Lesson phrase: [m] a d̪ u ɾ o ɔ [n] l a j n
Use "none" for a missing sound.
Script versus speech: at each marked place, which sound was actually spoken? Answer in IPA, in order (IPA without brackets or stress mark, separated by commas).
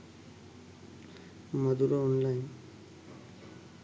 m, n